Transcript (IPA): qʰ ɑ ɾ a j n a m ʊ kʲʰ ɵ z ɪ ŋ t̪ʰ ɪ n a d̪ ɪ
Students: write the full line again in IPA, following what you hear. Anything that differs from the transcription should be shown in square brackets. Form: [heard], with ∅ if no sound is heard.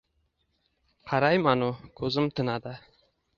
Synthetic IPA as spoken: qʰ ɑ ɾ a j [m] a [n] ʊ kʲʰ ɵ z ɪ [m] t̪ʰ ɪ n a d̪ ɪ